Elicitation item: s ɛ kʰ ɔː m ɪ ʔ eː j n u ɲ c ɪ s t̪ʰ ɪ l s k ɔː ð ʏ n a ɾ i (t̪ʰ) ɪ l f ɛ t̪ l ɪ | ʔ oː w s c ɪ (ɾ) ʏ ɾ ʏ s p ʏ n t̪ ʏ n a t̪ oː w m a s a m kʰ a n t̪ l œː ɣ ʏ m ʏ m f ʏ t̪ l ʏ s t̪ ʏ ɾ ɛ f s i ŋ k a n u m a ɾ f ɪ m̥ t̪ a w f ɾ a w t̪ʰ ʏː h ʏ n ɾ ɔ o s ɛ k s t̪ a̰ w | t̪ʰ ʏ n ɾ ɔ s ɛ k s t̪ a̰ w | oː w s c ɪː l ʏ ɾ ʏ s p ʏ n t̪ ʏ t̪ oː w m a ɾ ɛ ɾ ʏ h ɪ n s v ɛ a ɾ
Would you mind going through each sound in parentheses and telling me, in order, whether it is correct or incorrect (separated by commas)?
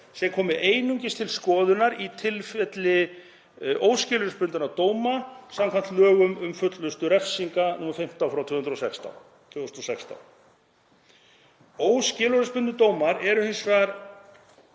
correct, incorrect